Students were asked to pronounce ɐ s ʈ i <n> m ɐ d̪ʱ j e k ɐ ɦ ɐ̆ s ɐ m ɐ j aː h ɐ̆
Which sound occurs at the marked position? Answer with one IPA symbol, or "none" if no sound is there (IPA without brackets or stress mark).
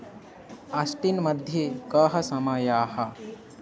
n